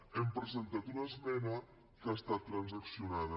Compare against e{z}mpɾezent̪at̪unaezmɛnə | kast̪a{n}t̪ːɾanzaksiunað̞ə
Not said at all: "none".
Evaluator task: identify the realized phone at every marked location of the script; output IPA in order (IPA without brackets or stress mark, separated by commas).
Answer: none, none